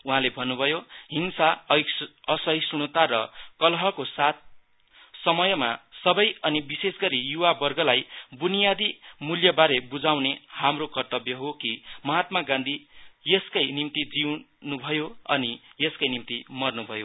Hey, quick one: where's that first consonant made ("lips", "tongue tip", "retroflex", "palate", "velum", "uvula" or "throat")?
throat